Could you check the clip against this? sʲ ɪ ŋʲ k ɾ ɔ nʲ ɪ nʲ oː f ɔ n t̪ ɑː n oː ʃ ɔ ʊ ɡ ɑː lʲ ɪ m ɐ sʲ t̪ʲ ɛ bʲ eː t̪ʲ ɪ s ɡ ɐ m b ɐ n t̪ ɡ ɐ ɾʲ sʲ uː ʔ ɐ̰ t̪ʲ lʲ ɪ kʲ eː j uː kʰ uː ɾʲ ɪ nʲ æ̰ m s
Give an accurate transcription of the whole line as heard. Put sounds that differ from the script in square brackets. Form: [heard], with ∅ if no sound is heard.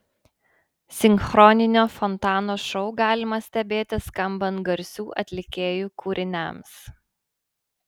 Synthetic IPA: sʲ ɪ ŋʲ [x] ɾ ɔ nʲ ɪ nʲ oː f ɔ n t̪ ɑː n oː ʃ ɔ ʊ ɡ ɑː lʲ ɪ m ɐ sʲ t̪ʲ ɛ bʲ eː t̪ʲ ɪ s [k] ɐ m b ɐ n t̪ ɡ ɐ ɾʲ sʲ uː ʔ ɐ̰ t̪ʲ lʲ ɪ kʲ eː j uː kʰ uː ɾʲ ɪ nʲ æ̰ m s